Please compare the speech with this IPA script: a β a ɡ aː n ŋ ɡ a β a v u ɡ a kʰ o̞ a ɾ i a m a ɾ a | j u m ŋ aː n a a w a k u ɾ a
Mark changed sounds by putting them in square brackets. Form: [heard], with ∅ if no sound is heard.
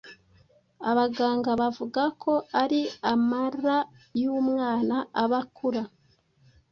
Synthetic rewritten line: a β a ɡ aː [∅] ŋ ɡ a β a v u ɡ a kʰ o̞ a ɾ i a m a ɾ a | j u m ŋ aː n a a [β] a k u ɾ a